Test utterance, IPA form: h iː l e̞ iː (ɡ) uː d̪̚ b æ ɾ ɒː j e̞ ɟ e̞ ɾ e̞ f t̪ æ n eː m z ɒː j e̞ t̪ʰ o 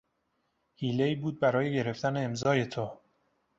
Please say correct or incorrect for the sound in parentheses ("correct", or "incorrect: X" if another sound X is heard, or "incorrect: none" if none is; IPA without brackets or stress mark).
incorrect: b